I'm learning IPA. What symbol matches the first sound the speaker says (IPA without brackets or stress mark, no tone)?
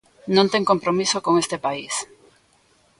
n